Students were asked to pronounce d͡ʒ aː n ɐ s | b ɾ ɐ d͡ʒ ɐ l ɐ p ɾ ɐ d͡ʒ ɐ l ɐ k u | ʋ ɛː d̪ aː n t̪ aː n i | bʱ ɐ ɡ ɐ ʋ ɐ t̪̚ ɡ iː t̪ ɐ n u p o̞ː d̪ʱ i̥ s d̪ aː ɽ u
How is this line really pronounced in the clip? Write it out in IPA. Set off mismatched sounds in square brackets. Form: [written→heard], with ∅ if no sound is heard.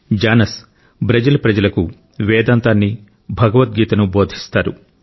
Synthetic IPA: d͡ʒ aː n ɐ s | b ɾ ɐ d͡ʒ ɐ l ɐ p ɾ ɐ d͡ʒ ɐ l ɐ k u | ʋ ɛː d̪ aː n t̪ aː [n→nː] i | bʱ ɐ ɡ ɐ ʋ ɐ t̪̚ ɡ iː t̪ ɐ n u [p→b] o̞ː d̪ʱ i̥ s [d̪→t̪] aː [ɽ→ɾ] u